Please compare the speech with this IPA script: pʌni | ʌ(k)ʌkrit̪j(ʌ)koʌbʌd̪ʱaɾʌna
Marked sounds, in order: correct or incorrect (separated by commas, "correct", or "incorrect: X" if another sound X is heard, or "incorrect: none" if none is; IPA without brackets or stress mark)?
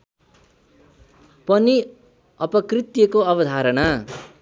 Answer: incorrect: p, correct